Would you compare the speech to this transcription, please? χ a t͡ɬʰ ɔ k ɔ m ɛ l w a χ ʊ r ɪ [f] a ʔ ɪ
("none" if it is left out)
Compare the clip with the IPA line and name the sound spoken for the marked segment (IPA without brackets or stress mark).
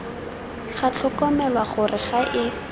χ